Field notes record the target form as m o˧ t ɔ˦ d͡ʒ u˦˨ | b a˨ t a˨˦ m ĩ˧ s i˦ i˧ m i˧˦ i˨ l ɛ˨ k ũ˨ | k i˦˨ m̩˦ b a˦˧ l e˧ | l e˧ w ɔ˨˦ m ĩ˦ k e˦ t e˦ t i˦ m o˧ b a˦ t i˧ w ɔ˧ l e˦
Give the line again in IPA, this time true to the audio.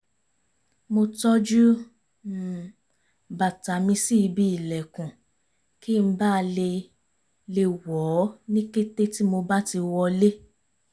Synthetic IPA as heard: m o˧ t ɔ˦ d͡ʒ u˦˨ | b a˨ t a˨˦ m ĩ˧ s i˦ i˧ b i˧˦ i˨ l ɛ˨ k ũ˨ | k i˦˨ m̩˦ b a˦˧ l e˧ | l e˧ w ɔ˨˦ n ĩ˦ k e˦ t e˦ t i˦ m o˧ b a˦ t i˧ w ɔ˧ l e˦

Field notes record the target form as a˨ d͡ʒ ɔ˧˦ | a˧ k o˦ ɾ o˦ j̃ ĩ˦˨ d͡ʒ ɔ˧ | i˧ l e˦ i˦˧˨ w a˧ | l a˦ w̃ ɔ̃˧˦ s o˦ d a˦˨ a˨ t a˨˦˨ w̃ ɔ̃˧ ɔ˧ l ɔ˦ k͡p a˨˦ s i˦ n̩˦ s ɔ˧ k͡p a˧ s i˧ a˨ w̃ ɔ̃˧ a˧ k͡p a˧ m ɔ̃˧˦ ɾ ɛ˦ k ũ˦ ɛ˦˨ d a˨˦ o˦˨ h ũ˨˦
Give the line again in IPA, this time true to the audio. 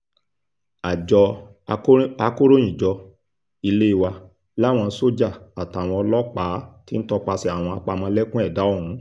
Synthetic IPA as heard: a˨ d͡ʒ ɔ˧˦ | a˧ k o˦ ɾ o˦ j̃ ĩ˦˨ d͡ʒ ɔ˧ | i˧ l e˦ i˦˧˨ w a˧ | l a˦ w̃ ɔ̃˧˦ s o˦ d͡ʒ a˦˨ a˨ t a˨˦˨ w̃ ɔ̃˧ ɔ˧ l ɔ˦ k͡p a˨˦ t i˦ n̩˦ t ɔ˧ k͡p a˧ s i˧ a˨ w̃ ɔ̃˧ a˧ k͡p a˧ m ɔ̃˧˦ l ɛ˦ k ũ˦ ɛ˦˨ d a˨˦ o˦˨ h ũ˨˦

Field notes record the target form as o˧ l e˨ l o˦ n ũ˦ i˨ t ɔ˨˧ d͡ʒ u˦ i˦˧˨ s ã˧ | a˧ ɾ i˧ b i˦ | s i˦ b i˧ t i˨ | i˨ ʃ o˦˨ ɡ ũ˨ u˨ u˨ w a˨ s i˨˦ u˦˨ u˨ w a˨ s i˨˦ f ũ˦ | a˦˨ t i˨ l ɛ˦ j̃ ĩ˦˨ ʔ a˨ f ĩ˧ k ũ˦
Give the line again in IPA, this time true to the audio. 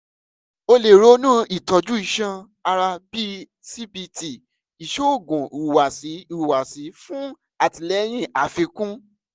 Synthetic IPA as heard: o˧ l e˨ ɾ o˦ n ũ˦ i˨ t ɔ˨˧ d͡ʒ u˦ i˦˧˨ ʃ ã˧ | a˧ ɾ a˧ b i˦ | s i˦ b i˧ t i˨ | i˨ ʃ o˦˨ ɡ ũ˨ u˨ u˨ w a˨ s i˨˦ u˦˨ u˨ w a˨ s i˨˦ f ũ˦ | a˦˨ t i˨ l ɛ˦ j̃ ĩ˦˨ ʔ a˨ f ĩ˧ k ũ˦

